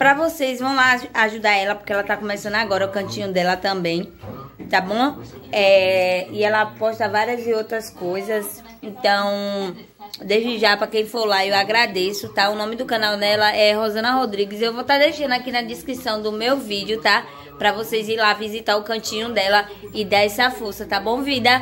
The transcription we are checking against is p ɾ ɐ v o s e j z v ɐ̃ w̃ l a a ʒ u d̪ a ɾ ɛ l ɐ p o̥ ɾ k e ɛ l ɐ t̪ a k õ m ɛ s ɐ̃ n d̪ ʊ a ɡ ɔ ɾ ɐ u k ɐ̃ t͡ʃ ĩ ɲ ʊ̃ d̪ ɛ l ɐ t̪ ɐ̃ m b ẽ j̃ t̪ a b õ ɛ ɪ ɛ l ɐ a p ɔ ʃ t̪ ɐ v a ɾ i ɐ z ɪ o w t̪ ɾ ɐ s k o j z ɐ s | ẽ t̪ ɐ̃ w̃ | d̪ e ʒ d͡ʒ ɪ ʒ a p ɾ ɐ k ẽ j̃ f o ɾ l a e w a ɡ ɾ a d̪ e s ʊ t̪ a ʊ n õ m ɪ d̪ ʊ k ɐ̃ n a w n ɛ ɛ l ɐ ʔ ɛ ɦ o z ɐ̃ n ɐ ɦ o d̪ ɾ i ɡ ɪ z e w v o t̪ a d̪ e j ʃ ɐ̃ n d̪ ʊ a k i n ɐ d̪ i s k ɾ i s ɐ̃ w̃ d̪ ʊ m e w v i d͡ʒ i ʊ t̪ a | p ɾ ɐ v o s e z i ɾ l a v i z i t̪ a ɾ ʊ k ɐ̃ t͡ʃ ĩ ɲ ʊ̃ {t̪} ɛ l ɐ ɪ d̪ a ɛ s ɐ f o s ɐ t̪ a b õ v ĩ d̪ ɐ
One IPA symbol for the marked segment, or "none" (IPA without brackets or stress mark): d̪